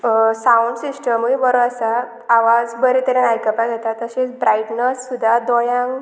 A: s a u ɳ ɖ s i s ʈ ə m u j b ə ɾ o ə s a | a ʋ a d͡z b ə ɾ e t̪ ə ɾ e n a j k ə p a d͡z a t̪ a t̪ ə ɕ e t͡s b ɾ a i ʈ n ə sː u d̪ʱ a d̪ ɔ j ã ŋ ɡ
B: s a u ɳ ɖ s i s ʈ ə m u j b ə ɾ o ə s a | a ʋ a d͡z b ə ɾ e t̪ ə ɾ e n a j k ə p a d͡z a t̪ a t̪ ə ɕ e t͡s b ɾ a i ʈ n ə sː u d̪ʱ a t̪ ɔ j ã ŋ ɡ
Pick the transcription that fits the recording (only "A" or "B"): A